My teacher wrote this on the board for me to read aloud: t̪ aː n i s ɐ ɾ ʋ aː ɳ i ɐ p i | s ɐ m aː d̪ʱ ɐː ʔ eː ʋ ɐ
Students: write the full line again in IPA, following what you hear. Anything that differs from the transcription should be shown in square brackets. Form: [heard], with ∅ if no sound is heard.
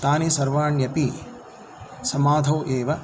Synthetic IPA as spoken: t̪ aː n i s ɐ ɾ ʋ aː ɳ [j] ɐ p i | s ɐ m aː d̪ʱ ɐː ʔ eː ʋ ɐ